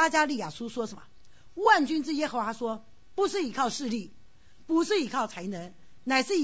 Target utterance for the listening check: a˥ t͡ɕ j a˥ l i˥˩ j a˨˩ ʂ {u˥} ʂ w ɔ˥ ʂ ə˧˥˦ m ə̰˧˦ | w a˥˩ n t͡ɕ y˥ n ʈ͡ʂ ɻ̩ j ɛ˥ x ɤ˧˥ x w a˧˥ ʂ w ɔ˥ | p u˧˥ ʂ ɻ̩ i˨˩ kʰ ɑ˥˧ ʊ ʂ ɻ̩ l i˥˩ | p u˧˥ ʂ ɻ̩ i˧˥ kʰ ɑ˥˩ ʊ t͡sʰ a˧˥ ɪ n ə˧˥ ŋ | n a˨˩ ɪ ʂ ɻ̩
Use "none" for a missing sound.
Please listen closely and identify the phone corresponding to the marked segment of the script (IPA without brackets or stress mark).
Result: u˥